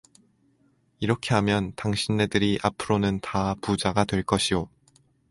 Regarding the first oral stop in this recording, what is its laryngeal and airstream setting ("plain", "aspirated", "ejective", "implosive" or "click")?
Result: aspirated